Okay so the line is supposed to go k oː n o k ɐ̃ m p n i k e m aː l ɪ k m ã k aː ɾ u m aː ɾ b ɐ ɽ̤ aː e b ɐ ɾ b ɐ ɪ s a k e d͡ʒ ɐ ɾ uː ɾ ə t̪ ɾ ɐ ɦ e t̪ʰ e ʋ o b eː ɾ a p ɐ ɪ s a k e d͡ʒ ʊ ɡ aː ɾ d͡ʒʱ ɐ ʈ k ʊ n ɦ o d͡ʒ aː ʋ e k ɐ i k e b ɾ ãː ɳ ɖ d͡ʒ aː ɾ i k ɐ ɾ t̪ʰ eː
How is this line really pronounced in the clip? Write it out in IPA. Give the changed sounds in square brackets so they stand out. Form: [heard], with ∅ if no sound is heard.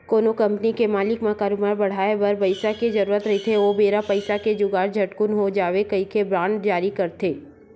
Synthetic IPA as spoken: k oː n o k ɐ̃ m p n i k e m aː l ɪ k m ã k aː ɾ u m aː ɾ b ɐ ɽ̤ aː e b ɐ ɾ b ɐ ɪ s a k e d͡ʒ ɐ ɾ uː ɾ ə t̪ ɾ ɐ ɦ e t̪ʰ e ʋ o b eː ɾ a p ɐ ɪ s a k e d͡ʒ ʊ ɡ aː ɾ d͡ʒʱ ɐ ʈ k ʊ n ɦ o d͡ʒ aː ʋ e k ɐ i k e b ɾ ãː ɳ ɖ d͡ʒ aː ɾ i k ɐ ɾ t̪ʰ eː